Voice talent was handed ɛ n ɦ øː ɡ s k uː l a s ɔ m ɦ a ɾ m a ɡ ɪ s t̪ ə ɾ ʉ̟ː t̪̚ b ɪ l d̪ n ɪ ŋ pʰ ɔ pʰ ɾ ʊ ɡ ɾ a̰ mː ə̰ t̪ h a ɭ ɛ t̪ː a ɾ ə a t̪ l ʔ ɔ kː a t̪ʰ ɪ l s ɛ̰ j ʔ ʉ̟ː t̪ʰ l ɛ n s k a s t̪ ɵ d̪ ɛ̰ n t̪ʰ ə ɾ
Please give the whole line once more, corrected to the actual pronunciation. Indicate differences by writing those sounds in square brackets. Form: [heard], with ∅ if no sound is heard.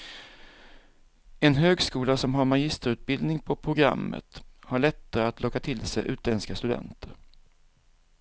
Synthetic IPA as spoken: ɛ n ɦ øː ɡ s k uː l a s ɔ m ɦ a ɾ m a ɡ ɪ s t̪ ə ɾ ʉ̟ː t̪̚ b ɪ l d̪ n ɪ ŋ pʰ ɔ pʰ ɾ ʊ ɡ ɾ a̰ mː ə̰ t̪ h a ɭ ɛ t̪ː a ɾ ə a t̪ l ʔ ɔ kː a t̪ʰ ɪ l s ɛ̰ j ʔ ʉ̟ː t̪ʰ l ɛ n s k a s t̪ ɵ d̪ ɛ̰ n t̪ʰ ə ɾ

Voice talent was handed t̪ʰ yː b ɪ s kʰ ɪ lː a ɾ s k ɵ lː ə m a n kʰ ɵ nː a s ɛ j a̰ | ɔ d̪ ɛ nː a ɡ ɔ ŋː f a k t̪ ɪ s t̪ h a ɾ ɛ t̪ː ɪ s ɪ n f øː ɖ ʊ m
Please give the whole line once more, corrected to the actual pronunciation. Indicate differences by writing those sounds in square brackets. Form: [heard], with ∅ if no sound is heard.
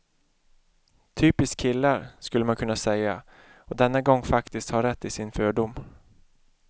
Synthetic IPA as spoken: t̪ʰ yː [p] ɪ s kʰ ɪ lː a ɾ s k ɵ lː ə m a n kʰ ɵ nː a s ɛ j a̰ | ɔ d̪ ɛ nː a ɡ ɔ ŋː f a k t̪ ɪ s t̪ h a ɾ ɛ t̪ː ɪ s ɪ n f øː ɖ ʊ m

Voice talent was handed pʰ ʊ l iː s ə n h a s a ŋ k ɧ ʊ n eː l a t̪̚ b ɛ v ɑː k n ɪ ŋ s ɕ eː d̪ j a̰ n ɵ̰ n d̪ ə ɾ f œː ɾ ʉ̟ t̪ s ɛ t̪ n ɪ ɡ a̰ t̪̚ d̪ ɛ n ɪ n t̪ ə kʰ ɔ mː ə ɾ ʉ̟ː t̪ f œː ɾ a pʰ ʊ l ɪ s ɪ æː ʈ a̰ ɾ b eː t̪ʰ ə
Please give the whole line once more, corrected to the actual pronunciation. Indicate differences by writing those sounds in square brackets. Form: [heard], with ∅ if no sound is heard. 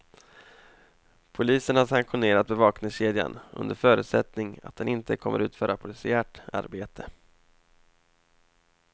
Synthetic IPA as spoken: pʰ ʊ l iː s ə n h a s a ŋ k ɧ ʊ n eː [ɾ] a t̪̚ b ɛ v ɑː k n ɪ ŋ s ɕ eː d̪ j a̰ n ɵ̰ n d̪ ə ɾ f œː ɾ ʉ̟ t̪ s ɛ t̪ n ɪ [ŋ] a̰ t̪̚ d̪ ɛ n ɪ n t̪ ə kʰ ɔ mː ə ɾ ʉ̟ː t̪ f œː ɾ a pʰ ʊ l ɪ s ɪ æː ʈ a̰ ɾ b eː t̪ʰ ə

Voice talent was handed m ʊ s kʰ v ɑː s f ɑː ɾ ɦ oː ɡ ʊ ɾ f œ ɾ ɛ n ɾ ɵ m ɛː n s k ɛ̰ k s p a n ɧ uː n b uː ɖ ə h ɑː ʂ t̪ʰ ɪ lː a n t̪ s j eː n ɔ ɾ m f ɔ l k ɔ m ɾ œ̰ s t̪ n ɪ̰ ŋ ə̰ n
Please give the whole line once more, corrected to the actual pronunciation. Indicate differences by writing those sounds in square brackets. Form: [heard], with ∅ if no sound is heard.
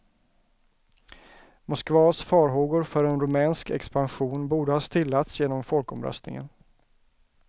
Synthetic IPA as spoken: m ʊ s [k] v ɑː s f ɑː ɾ ɦ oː ɡ ʊ ɾ f œ ɾ ɛ n ɾ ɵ m ɛː n s k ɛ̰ k s p a n ɧ uː n b uː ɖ ə h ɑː [s] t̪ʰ ɪ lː a [∅] t̪ s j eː n ɔ [∅] m f ɔ l k ɔ m ɾ œ̰ s t̪ n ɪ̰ ŋ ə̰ n

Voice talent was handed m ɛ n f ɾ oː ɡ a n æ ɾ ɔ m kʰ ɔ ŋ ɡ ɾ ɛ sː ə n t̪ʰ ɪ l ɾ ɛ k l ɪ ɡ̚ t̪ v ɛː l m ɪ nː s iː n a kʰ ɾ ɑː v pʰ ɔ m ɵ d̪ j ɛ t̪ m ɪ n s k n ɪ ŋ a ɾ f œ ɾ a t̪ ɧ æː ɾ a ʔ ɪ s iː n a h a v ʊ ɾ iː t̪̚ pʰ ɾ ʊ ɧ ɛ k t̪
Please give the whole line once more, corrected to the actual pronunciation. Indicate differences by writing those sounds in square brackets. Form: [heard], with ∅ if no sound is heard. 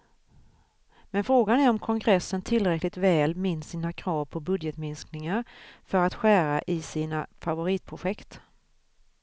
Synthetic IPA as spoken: m ɛ n f ɾ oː ɡ a n æ ɾ ɔ m kʰ ɔ ŋ ɡ ɾ ɛ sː ə n t̪ʰ ɪ l ɾ ɛ k l ɪ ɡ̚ t̪ v ɛː l m ɪ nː s iː n a kʰ ɾ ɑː v pʰ ɔ [b] ɵ d̪ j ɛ t̪ m ɪ n s k n ɪ ŋ a ɾ f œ ɾ a t̪ ɧ æː ɾ a ʔ ɪ s iː n a [f] a v ʊ ɾ iː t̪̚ pʰ ɾ ʊ ɧ ɛ k t̪

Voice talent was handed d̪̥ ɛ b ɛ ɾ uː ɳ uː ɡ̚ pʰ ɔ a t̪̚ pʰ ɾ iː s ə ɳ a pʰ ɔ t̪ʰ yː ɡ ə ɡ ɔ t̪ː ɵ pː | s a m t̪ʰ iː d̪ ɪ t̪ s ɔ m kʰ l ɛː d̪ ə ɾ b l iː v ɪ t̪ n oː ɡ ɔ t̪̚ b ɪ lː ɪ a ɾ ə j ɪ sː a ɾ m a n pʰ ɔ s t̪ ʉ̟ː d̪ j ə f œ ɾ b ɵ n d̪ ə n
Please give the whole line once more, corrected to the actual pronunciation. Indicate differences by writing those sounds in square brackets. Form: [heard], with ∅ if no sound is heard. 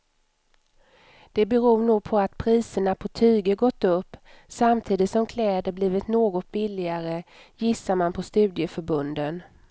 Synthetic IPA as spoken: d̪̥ ɛ b ɛ ɾ uː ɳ uː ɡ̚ pʰ ɔ a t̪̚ pʰ ɾ iː s ə ɳ a pʰ ɔ t̪ʰ yː ɡ ə ɡ ɔ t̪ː ɵ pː | s a m t̪ʰ iː d̪ ɪ t̪ s ɔ m kʰ l ɛː d̪ ə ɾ b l iː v ɪ t̪ n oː ɡ ɔ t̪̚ b ɪ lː ɪ a ɾ ə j ɪ sː a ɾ m a n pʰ ɔ s t̪ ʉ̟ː d̪ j ə f œ ɾ b ɵ n d̪ ə n

